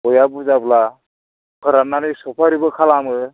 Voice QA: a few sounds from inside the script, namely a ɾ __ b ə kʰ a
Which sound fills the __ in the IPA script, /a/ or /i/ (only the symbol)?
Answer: i